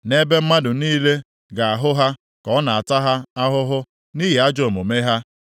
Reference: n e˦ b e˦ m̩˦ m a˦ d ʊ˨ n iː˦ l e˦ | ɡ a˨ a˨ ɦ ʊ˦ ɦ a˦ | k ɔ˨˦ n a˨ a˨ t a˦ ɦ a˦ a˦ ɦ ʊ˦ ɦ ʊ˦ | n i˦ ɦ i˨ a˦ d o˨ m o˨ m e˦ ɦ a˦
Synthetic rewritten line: n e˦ b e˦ m̩˦ m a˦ d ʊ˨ n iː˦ l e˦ | ɡ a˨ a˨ ɦ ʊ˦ ɦ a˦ | k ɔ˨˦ n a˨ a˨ t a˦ ɦ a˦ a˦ ɦ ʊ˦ ɦ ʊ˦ | n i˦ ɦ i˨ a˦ d͡ʒ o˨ m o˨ m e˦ ɦ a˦

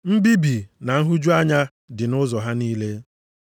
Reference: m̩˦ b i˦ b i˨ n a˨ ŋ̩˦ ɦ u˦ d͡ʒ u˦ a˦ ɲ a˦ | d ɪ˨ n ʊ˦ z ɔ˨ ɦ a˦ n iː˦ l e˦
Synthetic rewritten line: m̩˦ b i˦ b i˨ n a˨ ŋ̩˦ ɦ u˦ d͡ʒ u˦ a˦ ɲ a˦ | d ɪ˨ n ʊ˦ z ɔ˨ ɦ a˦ n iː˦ l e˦

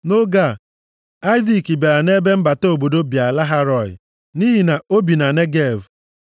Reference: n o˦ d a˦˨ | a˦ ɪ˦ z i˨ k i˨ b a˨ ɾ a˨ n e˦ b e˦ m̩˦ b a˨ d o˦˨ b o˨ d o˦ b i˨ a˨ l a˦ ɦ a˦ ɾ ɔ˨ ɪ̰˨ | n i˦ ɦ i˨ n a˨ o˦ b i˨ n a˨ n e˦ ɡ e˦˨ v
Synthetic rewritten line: n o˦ ɡ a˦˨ | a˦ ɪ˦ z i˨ k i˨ b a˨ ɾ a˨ n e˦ b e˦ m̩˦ b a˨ t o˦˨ b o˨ d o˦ b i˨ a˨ l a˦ ɦ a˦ ɾ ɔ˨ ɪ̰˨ | n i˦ ɦ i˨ n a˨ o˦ b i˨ n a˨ n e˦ ɡ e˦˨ v

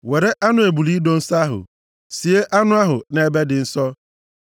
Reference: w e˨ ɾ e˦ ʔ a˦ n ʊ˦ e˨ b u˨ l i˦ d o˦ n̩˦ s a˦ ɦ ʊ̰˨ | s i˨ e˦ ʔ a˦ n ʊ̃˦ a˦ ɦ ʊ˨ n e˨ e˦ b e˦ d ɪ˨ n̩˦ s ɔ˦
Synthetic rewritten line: w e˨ ɾ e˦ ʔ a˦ n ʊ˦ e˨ b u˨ l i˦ d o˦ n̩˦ s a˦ ɦ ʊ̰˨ | s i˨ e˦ ʔ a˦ n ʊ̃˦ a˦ ɦ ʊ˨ n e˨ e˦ b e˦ d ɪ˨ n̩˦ s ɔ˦

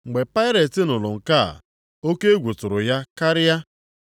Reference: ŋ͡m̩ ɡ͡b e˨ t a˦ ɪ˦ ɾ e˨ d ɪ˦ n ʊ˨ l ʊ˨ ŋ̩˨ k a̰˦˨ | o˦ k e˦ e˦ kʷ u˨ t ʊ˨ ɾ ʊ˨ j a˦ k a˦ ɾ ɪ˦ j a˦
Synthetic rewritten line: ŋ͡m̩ ɡ͡b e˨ p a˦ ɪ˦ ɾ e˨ t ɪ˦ n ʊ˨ l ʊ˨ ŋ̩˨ k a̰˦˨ | o˦ k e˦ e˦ ɡʷ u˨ t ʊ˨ ɾ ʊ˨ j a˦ k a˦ ɾ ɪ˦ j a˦

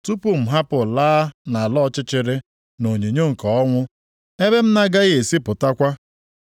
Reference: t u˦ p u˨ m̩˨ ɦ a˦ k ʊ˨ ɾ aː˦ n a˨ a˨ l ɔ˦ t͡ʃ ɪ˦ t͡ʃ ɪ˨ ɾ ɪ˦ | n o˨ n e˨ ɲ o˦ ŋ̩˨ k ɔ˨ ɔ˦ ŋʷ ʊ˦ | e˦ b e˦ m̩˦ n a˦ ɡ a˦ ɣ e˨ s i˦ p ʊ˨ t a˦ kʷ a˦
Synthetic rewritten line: t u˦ p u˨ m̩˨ ɦ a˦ p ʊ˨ l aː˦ n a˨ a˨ l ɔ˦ t͡ʃ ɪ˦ t͡ʃ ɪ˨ ɾ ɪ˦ | n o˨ ɲ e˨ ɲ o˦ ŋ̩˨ k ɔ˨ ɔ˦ ŋʷ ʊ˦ | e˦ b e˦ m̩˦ n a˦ ɡ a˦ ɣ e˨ s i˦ p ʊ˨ t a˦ kʷ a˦

